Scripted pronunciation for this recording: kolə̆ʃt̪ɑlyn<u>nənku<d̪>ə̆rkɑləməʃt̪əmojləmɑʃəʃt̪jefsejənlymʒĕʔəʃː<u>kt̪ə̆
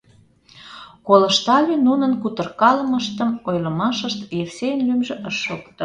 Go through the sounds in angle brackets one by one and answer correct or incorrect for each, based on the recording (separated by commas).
correct, incorrect, incorrect